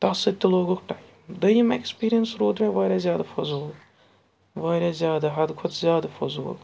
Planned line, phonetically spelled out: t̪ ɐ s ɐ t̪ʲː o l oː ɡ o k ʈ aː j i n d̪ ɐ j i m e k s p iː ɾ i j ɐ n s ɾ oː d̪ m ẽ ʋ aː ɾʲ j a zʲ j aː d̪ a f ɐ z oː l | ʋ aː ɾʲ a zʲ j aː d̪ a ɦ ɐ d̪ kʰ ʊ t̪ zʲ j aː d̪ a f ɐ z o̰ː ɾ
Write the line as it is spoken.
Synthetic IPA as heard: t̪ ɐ s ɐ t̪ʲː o l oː ɡ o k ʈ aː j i m d̪ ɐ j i m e k s p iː ɾ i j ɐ n s ɾ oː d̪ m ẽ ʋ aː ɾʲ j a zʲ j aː d̪ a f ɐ z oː l | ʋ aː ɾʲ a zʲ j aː d̪ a ɦ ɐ d̪ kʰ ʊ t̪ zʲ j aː d̪ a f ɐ z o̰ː l

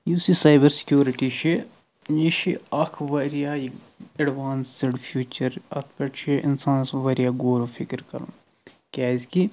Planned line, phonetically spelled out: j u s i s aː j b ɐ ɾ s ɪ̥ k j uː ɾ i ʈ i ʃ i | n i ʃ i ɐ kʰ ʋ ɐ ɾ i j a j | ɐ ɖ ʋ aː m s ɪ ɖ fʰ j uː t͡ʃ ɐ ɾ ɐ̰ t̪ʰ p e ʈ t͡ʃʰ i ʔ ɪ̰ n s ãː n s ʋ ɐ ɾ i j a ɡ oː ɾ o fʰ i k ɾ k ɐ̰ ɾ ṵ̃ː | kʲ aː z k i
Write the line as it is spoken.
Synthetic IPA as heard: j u s i s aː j b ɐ ɾ s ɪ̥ k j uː ɾ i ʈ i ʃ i | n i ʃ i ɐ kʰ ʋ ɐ ɾ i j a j | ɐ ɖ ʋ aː n s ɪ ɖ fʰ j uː t͡ʃ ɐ ɾ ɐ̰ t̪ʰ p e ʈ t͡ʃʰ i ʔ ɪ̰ n s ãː n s ʋ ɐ ɾ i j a ɡ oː ɾ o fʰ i k ɾ k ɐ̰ ɾ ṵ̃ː | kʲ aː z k i

